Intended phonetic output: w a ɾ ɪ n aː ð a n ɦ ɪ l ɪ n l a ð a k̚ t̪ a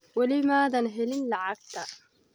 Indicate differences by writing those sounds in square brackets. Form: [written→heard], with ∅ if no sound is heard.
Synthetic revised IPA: w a [ɾ→l] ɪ [n→m] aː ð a n ɦ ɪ l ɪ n l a [ð→ʕ] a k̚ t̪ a